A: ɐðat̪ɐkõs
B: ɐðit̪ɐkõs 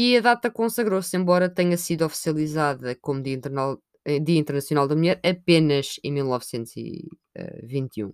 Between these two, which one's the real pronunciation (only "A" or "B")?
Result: A